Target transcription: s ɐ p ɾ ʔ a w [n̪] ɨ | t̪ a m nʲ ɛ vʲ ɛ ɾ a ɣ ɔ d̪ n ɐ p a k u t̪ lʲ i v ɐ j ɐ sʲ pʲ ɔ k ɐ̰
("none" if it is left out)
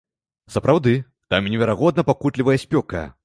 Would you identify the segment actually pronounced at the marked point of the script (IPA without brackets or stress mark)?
d̪